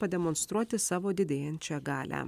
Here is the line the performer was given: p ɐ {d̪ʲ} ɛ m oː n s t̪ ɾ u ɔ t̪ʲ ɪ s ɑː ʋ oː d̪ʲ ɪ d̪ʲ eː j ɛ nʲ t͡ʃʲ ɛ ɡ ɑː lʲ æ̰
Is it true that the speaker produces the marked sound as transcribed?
yes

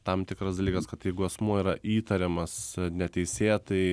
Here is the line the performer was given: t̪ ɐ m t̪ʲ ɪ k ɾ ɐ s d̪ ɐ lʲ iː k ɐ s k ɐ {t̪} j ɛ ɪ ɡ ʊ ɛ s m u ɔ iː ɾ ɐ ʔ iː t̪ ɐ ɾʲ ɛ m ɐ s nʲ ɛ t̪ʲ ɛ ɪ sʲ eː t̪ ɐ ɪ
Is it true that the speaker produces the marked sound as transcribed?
yes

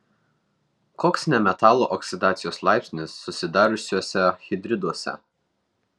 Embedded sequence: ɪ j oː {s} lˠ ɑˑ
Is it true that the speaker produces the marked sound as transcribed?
yes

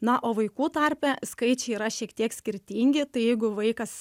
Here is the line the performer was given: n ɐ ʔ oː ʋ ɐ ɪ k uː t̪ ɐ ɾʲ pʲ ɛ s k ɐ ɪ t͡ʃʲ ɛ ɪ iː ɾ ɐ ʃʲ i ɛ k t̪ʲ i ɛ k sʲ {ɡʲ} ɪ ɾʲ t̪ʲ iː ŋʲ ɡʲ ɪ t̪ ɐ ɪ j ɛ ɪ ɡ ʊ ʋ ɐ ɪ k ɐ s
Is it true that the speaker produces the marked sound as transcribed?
no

